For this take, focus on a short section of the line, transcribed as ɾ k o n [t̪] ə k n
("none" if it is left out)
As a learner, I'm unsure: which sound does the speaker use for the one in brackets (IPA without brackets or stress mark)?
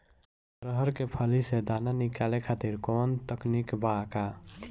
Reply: t̪